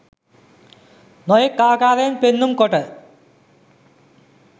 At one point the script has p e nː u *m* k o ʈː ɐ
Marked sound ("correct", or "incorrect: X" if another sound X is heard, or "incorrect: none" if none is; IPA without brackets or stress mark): correct